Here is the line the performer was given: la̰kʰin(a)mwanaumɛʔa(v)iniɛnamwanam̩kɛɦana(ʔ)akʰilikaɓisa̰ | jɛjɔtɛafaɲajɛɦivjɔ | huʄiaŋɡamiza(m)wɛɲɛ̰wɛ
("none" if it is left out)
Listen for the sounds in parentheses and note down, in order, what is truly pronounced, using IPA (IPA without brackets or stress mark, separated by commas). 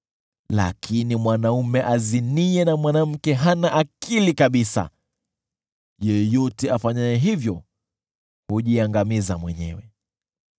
i, z, ʔ, m